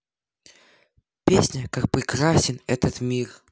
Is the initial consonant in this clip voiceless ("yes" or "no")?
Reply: yes